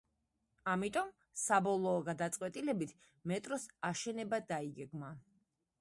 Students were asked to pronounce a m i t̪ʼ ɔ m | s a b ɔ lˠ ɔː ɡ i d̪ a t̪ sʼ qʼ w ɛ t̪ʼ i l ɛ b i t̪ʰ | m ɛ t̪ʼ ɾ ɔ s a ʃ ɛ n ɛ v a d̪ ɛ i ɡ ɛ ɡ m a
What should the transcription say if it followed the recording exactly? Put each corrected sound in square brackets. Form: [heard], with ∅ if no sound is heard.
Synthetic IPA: a m i t̪ʼ ɔ m | s a b ɔ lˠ ɔː ɡ [a] d̪ a t̪ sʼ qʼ w ɛ t̪ʼ i l ɛ b i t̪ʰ | m ɛ t̪ʼ ɾ ɔ s a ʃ ɛ n ɛ [b] a d̪ [a] i ɡ ɛ ɡ m a